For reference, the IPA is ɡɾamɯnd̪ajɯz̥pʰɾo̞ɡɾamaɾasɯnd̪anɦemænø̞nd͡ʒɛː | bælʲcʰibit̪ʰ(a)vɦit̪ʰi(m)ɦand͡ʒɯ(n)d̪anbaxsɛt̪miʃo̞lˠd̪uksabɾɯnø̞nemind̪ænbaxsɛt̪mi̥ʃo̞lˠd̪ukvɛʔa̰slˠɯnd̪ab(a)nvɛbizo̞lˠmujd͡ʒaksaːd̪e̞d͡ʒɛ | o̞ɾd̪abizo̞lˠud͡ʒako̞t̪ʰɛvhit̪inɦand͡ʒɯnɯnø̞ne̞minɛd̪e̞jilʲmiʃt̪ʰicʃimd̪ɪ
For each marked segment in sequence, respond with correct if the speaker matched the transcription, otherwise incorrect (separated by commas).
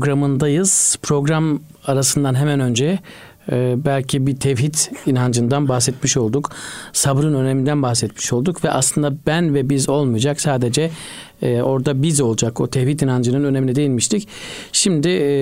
incorrect, incorrect, correct, incorrect